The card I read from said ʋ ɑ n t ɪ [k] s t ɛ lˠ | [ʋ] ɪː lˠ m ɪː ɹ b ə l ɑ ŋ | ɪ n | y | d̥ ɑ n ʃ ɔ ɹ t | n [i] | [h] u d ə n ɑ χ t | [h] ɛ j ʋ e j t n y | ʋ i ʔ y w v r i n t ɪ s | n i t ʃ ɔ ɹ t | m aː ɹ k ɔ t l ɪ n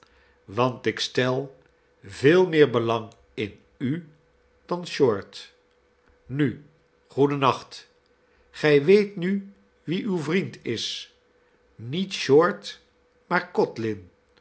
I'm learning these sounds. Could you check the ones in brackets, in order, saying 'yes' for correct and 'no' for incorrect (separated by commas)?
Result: yes, no, no, no, no